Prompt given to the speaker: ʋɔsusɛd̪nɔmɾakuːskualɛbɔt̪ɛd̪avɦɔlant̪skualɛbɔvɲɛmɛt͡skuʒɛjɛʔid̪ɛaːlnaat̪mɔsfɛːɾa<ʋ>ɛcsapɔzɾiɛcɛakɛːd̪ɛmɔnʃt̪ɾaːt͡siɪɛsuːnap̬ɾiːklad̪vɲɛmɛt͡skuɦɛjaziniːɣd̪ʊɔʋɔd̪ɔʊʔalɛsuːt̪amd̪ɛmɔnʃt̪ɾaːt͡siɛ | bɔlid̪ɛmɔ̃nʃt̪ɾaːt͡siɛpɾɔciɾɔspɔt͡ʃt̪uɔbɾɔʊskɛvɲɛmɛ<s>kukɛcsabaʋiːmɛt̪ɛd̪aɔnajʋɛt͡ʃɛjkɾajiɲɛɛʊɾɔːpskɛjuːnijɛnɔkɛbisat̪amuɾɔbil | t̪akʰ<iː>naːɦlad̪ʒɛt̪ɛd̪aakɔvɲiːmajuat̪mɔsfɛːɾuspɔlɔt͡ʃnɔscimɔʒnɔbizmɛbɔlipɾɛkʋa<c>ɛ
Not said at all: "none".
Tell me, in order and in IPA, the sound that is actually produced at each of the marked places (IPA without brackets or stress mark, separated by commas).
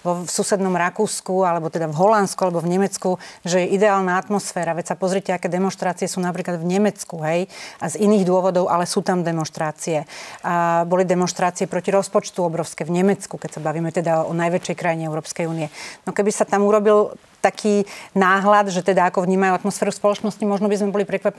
ʋ, t͡s, iː, p